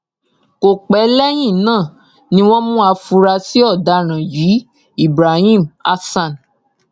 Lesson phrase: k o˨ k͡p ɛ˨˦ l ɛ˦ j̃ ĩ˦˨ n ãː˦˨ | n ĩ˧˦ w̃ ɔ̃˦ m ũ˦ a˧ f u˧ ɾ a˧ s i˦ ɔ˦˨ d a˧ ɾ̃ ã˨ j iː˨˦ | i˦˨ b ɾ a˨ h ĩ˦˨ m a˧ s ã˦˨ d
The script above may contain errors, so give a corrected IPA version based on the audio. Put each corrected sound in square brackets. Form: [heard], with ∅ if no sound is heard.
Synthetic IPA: k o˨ k͡p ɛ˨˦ l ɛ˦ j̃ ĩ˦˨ n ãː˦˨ | n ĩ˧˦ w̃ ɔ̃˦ m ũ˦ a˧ f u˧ ɾ a˧ s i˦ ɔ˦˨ d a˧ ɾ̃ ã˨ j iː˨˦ | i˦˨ b ɾ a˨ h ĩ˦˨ m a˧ s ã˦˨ [n]